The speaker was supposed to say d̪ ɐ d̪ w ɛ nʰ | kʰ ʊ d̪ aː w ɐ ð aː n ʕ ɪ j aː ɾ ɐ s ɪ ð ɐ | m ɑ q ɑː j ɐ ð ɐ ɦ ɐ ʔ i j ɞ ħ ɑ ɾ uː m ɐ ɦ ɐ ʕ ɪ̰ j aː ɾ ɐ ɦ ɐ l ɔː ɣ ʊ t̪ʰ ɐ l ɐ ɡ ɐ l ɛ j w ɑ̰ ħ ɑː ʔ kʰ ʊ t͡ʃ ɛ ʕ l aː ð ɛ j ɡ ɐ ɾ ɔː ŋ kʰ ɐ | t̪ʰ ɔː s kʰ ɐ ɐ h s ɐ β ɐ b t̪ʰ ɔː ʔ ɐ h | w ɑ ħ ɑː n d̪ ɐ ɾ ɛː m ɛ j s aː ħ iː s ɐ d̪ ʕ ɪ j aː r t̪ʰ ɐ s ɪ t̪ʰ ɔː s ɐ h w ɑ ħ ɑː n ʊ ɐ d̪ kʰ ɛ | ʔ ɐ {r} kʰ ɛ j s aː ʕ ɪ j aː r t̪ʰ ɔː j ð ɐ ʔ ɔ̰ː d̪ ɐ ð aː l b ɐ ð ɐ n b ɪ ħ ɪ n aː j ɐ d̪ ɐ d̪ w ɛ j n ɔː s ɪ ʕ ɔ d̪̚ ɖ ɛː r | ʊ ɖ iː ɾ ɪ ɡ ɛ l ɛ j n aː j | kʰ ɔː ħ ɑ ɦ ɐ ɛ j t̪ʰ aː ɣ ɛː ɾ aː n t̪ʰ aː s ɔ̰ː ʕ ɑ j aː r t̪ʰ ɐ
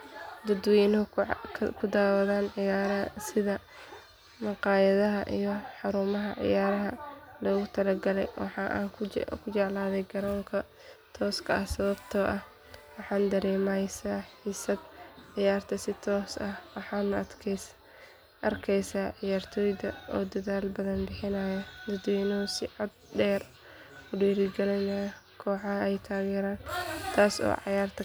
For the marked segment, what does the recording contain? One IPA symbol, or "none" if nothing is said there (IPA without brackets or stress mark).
r